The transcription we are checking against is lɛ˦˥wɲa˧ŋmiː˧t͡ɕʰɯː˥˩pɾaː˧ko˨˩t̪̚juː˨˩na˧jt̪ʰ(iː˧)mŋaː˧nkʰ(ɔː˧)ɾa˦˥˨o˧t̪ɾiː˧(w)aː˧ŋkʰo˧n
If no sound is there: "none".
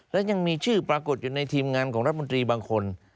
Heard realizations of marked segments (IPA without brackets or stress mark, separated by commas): iː˧, ɔː˩˦, b